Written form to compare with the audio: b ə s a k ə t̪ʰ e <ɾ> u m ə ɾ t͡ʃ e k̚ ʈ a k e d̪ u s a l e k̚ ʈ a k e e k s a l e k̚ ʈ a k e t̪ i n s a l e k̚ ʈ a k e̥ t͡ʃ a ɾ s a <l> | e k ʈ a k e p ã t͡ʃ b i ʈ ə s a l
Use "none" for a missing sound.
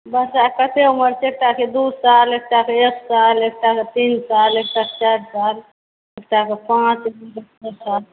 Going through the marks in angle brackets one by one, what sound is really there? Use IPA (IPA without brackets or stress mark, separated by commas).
none, l